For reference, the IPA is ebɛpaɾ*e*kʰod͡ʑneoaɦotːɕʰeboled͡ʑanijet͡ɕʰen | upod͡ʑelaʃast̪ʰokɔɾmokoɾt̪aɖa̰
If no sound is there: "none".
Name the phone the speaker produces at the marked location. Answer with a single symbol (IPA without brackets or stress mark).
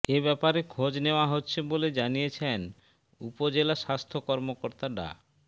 e